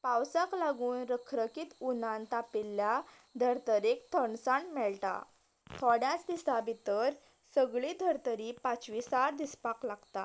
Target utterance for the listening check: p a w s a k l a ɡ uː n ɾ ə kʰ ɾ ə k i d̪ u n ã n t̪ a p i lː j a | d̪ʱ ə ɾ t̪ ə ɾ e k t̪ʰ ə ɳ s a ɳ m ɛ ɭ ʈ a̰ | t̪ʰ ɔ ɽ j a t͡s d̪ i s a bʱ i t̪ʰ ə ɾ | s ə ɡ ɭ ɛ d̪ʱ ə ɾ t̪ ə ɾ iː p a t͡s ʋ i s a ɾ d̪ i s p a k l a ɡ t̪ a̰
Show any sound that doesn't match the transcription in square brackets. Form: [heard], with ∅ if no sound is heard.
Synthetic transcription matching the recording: p a w s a k l a ɡ uː n ɾ ə kʰ ɾ ə k i [t̪] u n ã n t̪ a p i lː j a | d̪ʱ ə ɾ t̪ ə ɾ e k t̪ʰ ə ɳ s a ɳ m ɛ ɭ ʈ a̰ | t̪ʰ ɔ ɽ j a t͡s d̪ i s a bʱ i [t̪] ə ɾ | s ə ɡ ɭ [i] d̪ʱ ə ɾ t̪ ə ɾ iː p a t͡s ʋ i s a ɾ d̪ i s p a k l a ɡ t̪ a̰